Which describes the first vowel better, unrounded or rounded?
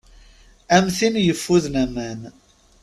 unrounded